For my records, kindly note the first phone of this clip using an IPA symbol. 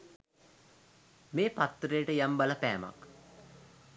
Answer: m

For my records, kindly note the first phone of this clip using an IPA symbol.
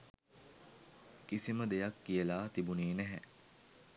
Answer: k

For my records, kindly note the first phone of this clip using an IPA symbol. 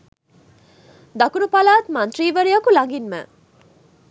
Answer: d̪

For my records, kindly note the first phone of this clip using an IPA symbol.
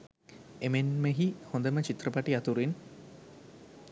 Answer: e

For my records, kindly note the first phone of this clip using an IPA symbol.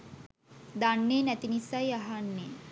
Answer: d̪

